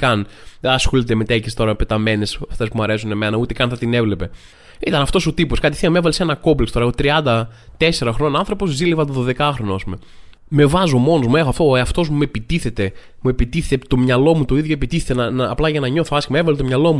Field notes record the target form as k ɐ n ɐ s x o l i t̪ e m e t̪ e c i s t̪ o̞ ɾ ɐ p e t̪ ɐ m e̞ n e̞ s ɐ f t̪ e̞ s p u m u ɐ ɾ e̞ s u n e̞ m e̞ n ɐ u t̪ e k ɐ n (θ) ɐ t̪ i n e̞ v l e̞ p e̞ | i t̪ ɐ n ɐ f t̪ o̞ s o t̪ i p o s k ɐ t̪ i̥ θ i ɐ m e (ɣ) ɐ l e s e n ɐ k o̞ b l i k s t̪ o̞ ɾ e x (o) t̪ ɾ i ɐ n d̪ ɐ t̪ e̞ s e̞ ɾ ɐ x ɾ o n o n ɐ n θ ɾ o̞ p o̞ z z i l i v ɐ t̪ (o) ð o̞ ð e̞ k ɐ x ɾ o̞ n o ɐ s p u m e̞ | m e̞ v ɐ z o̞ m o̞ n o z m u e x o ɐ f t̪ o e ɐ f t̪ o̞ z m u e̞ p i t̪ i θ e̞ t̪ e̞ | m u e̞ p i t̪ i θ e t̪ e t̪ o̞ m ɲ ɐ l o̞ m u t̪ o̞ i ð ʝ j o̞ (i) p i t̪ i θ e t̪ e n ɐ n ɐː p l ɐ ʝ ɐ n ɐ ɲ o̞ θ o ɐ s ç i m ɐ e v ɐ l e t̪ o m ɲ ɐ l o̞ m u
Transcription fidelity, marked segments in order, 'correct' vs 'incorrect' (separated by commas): correct, incorrect, correct, correct, incorrect